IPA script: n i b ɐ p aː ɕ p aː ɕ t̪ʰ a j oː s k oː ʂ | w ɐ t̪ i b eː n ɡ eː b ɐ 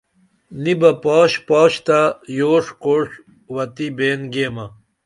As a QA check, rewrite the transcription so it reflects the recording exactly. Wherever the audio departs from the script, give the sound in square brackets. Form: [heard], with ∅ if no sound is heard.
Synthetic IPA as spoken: n i b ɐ p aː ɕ p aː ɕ [t̪] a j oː [ʂ] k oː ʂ | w ɐ t̪ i b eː n ɡ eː [m] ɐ